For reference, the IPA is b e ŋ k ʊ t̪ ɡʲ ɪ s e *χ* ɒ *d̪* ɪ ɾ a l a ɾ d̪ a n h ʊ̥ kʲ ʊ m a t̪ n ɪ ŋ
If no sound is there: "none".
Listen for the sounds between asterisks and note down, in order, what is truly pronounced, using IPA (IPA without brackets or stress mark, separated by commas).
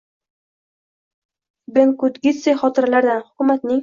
χ, t̪